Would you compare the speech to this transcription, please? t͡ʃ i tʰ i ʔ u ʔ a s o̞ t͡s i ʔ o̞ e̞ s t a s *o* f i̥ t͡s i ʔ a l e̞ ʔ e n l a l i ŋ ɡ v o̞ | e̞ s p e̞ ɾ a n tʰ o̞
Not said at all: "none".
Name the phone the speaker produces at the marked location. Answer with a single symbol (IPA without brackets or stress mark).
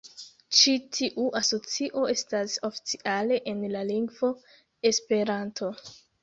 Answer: o